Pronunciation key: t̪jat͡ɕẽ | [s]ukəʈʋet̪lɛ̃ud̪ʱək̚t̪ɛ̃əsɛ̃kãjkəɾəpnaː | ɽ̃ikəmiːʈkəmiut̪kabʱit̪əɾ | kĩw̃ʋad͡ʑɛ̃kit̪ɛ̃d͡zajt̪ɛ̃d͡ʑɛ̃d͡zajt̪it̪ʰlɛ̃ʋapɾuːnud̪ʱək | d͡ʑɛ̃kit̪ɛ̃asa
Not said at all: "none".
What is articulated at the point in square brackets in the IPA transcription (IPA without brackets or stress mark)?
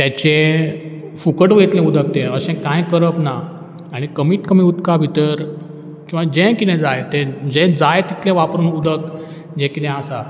f